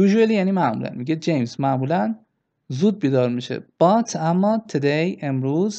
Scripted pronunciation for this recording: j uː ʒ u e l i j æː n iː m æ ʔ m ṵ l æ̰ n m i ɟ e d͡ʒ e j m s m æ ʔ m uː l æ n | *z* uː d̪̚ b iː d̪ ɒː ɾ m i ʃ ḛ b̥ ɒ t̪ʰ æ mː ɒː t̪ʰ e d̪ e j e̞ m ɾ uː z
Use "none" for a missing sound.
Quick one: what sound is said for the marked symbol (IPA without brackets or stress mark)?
z